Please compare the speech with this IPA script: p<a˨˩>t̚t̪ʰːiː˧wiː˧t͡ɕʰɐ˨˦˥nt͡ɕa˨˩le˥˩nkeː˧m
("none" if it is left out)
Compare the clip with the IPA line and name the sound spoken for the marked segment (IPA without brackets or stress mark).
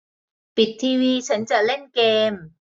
i˨˩